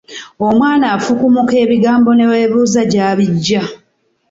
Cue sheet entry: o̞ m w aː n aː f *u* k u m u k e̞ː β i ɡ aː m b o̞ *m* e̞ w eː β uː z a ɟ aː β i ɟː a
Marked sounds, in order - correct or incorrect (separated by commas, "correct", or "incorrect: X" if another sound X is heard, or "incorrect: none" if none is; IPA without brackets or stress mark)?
correct, incorrect: n